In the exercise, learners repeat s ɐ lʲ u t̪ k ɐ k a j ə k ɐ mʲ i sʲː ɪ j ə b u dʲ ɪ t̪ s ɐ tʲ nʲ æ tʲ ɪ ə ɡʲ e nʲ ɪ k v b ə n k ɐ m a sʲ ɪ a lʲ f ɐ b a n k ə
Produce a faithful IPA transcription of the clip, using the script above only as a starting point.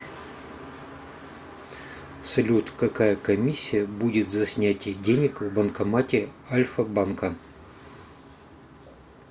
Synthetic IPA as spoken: s ɐ lʲ u t̪ k ɐ k a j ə k ɐ mʲ i sʲː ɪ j ə b u dʲ ɪ t̪ z ɐ sʲ nʲ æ tʲ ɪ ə dʲ e nʲ ɪ k v b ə n k ɐ m a tʲ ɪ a lʲ f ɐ b a n k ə

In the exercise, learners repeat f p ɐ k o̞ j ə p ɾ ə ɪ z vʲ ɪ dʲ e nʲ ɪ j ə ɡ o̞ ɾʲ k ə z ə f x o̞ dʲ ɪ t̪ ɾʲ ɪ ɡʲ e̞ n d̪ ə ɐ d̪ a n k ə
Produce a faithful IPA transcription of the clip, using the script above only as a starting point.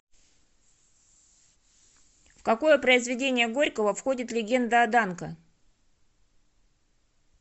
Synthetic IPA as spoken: f k ɐ k o̞ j ə p ɾ ə ɪ z vʲ ɪ dʲ e nʲ ɪ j ə ɡ o̞ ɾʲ k ə v ə f x o̞ dʲ ɪ t̪ lʲ ɪ ɡʲ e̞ n d̪ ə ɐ d̪ a n k ə

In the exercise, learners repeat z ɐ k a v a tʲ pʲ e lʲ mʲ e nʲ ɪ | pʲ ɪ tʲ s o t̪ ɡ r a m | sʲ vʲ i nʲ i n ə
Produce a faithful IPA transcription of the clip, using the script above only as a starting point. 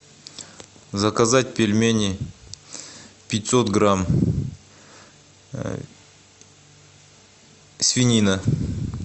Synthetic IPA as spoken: z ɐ k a z a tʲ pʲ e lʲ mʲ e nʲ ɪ | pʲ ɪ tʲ s o t̪ ɡ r a m | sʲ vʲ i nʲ i n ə

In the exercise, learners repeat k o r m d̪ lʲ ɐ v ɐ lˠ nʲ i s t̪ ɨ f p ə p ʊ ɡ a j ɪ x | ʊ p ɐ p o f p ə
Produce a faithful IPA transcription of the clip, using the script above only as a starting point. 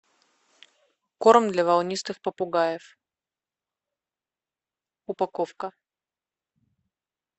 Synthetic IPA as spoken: k o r m d̪ lʲ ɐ v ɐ lˠ nʲ i s t̪ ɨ x p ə p ʊ ɡ a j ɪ f | ʊ p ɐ k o f k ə

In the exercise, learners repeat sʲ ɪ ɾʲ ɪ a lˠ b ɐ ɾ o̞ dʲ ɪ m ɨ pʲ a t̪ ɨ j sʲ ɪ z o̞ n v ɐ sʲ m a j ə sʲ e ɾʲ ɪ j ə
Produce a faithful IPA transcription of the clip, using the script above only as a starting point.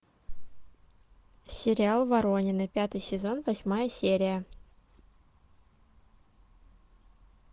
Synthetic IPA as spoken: sʲ ɪ ɾʲ ɪ a lˠ v ɐ ɾ o̞ nʲ ɪ n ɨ pʲ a t̪ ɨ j sʲ ɪ z o̞ n v ɐ sʲ m a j ə sʲ e ɾʲ ɪ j ə

